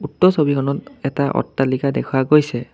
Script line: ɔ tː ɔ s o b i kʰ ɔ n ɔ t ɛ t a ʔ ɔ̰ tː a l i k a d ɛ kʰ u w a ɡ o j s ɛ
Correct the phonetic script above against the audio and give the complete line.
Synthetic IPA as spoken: u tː ɔ s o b i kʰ ɔ n ɔ t ɛ t a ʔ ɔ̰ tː a l i k a d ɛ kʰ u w a ɡ o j s ɛ